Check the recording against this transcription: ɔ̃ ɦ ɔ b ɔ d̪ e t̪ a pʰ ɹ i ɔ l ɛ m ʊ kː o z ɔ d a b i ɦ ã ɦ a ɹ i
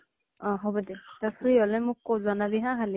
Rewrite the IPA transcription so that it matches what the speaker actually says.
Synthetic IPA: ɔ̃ ɦ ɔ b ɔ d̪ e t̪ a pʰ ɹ i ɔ l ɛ m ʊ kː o z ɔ n a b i ɦ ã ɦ a l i